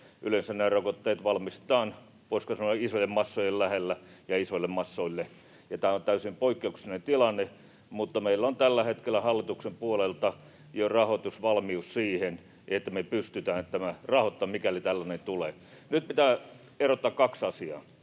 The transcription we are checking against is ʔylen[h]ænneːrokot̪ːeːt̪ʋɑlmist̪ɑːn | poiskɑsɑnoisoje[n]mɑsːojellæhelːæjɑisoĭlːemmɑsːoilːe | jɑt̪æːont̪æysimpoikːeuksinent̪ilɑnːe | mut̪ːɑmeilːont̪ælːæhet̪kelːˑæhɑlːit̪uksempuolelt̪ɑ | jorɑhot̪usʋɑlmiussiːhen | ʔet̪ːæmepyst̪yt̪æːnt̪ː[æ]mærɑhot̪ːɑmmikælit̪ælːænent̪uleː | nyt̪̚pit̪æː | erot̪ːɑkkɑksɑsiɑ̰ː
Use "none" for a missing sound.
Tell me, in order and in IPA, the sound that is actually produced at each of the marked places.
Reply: s, m, æ

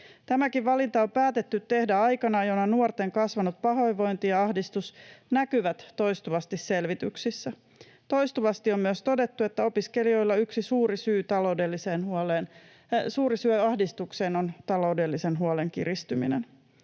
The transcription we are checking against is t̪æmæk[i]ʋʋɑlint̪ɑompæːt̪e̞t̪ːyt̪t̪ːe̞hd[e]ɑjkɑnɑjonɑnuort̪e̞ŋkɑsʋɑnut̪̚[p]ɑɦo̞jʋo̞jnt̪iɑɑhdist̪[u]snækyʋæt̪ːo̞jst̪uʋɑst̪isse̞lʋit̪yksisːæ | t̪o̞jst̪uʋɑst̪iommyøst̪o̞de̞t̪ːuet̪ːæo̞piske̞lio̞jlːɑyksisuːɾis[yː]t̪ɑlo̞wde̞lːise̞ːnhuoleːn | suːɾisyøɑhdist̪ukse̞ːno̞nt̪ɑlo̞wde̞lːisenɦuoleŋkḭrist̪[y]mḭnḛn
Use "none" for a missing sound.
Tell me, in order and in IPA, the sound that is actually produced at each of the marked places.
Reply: i, æ, p, u, yː, y

